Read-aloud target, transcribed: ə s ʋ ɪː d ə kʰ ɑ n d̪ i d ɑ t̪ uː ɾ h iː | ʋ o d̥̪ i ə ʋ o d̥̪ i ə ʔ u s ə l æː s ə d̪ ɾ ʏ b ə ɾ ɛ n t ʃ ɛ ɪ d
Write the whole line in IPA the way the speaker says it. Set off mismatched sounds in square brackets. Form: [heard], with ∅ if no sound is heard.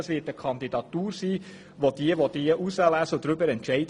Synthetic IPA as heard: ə s ʋ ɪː [t] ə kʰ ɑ n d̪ i d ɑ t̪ uː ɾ [s] iː | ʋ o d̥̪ i ə ʋ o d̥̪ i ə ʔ u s ə l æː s ə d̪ ɾ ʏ b ə ɾ ɛ n t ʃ ɛ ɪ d